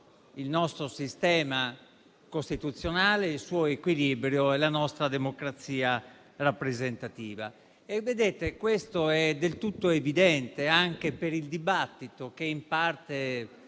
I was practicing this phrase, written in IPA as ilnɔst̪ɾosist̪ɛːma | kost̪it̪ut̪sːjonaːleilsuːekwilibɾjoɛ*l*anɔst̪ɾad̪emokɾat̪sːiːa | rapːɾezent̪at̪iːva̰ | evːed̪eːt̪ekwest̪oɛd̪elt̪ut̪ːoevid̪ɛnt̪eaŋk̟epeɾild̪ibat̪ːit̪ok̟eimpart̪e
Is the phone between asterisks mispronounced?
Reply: no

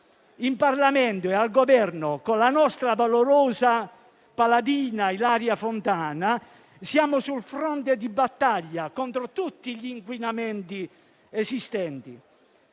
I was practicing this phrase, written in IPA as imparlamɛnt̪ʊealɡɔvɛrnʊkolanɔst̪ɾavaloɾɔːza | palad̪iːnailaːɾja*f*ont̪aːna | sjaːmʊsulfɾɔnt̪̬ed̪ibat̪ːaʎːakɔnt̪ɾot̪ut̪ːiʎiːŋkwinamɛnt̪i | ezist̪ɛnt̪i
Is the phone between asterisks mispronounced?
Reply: no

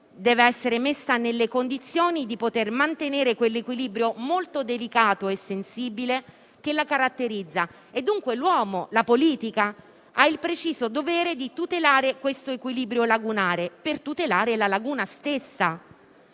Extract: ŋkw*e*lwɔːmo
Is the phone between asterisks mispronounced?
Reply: no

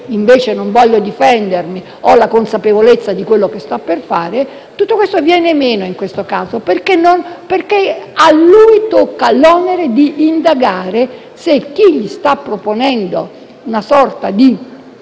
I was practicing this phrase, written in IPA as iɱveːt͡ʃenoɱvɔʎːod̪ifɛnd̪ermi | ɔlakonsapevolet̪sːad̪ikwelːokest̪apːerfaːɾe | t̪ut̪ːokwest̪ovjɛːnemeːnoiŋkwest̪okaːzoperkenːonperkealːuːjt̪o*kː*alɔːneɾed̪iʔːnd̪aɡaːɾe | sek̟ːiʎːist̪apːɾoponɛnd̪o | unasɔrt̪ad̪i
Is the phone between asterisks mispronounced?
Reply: no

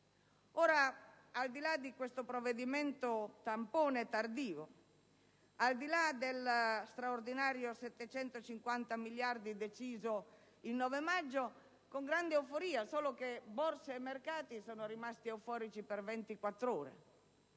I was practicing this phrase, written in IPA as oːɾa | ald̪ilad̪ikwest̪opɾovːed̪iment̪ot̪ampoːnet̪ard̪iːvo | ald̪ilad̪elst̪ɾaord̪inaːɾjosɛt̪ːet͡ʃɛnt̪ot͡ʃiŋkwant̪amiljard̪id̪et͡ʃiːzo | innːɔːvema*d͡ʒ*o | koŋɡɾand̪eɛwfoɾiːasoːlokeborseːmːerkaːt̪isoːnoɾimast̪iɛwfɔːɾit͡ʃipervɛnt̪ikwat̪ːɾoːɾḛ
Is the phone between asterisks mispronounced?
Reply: yes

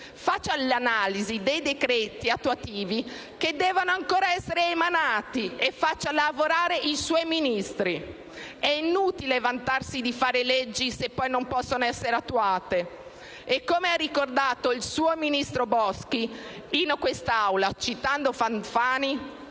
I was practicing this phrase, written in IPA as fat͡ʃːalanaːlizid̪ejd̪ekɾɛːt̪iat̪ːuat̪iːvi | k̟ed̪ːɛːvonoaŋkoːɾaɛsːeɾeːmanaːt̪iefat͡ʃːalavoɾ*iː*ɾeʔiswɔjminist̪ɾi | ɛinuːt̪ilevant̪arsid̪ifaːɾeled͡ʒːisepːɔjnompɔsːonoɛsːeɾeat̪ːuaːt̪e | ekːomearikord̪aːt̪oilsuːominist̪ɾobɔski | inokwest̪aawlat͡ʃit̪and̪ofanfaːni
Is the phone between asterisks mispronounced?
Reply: yes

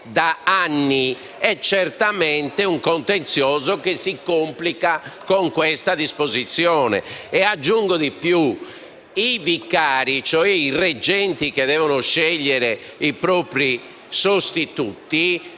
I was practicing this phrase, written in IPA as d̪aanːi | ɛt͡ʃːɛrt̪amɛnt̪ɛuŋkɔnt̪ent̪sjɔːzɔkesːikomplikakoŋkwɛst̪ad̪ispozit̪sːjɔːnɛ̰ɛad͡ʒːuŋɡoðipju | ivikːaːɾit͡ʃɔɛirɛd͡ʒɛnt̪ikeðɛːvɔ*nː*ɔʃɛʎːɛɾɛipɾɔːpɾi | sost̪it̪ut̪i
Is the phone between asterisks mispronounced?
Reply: yes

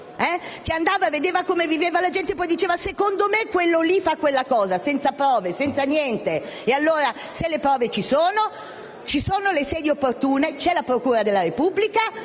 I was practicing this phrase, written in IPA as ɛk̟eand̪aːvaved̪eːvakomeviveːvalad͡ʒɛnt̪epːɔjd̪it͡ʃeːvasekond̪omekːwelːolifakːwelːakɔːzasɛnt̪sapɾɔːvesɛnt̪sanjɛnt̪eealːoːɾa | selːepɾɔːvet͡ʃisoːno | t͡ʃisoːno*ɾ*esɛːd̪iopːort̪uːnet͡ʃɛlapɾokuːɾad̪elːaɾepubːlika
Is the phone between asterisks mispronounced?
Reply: yes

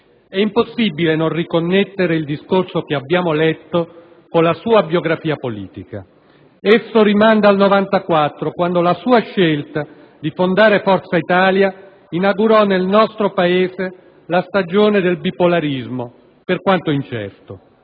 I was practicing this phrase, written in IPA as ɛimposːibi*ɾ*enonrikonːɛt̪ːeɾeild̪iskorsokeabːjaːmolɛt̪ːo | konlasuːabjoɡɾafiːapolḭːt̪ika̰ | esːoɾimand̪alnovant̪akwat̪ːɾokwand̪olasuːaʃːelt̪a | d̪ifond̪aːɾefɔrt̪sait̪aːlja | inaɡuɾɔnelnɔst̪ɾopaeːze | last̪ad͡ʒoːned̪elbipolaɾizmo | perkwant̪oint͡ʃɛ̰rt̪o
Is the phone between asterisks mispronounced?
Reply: yes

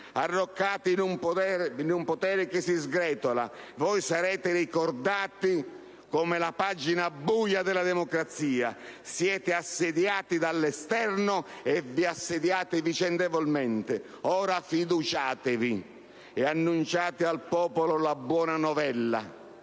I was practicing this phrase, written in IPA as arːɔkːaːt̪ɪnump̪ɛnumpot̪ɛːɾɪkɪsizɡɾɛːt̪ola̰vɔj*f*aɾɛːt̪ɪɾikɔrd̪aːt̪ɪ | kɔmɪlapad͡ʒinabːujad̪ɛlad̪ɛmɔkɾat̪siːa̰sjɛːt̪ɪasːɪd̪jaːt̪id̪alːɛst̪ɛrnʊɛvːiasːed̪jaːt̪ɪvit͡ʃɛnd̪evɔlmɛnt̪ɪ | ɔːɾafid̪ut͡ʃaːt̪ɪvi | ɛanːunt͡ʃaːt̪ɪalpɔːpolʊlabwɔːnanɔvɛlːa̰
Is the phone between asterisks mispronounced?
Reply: yes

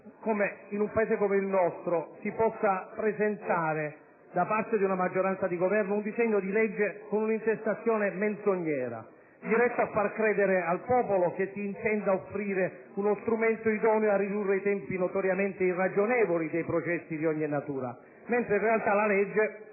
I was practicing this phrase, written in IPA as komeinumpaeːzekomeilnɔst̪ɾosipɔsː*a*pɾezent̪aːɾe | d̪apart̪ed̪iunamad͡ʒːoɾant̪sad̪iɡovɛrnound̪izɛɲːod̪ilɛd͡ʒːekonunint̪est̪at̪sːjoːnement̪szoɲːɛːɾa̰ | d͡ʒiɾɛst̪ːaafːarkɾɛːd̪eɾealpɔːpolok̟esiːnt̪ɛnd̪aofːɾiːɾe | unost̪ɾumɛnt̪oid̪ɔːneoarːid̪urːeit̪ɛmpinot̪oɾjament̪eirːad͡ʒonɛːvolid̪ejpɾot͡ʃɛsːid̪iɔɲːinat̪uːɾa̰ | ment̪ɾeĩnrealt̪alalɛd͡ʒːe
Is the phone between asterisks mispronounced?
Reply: no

